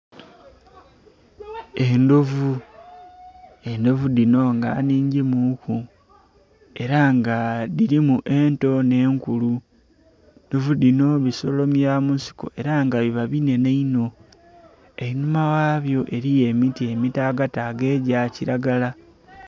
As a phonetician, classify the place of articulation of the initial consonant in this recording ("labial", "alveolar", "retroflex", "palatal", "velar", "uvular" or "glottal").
alveolar